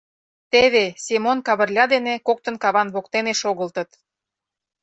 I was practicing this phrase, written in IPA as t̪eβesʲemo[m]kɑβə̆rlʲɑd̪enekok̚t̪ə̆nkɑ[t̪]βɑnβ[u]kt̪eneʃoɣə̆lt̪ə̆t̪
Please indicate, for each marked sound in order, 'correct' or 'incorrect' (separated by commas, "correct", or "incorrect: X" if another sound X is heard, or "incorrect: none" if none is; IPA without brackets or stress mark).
incorrect: n, incorrect: none, incorrect: o